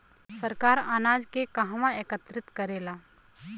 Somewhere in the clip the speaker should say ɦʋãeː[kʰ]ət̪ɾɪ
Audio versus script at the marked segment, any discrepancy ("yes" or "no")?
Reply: yes